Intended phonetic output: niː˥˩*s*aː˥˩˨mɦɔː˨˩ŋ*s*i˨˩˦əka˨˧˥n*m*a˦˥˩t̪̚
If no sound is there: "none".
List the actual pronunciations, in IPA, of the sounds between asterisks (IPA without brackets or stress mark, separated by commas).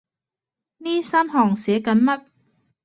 s, s, m